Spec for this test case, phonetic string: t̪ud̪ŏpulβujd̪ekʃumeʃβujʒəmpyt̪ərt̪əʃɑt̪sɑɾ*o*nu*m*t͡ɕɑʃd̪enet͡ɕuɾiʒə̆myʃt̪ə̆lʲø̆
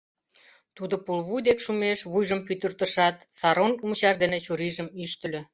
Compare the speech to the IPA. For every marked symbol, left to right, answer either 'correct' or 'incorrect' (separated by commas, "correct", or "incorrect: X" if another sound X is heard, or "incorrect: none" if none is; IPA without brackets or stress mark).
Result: correct, correct